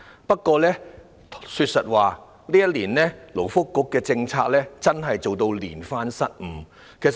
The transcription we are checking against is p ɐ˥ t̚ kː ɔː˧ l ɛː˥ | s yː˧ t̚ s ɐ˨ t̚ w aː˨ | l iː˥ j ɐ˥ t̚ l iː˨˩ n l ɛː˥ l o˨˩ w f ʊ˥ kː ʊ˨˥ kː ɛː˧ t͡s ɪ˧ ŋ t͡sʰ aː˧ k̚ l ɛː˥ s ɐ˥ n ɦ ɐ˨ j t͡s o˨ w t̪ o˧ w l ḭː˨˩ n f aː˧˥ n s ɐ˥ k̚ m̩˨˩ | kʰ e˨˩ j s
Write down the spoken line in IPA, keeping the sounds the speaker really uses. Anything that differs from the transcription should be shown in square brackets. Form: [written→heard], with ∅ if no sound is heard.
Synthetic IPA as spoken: p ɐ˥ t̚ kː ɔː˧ l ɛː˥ | s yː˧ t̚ s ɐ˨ t̚ w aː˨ | l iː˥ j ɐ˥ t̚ l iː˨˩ n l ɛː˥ l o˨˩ w f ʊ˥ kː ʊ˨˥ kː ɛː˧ t͡s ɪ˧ ŋ t͡sʰ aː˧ k̚ l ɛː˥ [s→t͡s] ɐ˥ n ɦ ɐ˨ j t͡s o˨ w t̪ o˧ w l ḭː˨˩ n f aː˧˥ n s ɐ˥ [k̚→t̚] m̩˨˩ | kʰ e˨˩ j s